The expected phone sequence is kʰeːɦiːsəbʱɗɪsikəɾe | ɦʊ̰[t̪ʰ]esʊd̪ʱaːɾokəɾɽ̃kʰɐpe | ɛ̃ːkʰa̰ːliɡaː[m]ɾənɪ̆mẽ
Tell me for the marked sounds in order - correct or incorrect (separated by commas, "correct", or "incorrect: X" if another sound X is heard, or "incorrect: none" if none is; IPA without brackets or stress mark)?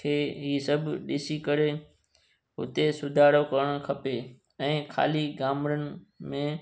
incorrect: t̪, correct